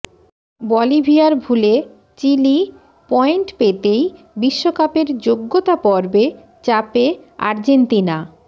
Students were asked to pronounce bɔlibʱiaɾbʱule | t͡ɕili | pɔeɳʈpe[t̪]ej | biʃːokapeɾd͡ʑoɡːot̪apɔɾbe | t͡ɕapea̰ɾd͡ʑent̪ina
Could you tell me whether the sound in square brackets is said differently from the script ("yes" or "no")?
no